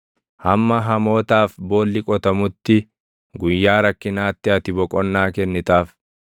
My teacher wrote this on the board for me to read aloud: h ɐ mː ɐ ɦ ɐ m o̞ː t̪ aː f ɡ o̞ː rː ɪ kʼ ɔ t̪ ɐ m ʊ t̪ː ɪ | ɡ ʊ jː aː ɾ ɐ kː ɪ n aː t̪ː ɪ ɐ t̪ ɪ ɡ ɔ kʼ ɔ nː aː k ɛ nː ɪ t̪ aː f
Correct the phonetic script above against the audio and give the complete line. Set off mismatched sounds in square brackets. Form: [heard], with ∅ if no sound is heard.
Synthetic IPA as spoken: h ɐ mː ɐ ɦ ɐ m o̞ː t̪ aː f [b] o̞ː [lː] ɪ kʼ ɔ t̪ ɐ m ʊ t̪ː ɪ | ɡ ʊ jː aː ɾ ɐ kː ɪ n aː t̪ː ɪ ɐ t̪ ɪ [b] ɔ kʼ ɔ nː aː k ɛ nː ɪ t̪ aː f